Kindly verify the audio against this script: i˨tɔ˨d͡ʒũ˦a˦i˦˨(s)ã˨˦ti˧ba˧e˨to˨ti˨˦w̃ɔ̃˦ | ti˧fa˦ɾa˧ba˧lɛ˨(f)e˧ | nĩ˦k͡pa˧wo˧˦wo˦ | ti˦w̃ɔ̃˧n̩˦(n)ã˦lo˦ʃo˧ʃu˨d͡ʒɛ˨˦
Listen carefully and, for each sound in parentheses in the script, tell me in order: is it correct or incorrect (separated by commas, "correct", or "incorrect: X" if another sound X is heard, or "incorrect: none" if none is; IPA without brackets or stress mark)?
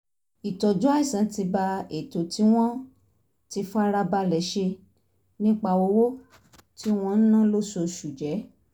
correct, incorrect: ʃ, correct